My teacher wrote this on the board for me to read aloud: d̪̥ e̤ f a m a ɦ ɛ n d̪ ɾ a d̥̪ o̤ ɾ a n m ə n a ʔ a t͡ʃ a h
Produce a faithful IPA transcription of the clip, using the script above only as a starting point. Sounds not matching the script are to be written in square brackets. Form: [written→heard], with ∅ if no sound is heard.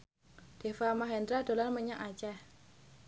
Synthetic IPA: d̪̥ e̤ f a m a ɦ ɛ n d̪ ɾ a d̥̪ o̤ [ɾ→l] a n m ə [n→ɲ] a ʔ a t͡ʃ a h